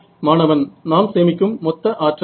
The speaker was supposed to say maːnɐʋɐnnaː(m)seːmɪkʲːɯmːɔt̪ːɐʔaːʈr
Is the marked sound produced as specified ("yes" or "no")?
yes